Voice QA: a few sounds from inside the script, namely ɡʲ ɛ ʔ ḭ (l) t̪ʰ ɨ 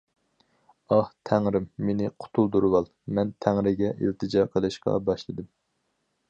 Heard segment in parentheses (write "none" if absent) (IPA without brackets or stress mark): l